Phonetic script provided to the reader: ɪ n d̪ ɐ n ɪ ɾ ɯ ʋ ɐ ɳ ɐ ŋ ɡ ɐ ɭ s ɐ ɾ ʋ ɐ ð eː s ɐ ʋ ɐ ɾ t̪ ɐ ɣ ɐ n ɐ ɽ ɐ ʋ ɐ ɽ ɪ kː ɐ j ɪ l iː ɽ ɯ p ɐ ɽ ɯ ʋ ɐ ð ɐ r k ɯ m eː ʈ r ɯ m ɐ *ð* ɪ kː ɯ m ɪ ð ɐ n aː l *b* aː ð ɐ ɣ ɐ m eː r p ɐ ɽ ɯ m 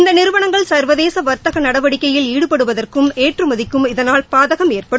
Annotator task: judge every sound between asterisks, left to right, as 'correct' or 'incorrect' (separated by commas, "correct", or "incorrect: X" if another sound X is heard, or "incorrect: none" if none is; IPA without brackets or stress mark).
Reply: correct, incorrect: p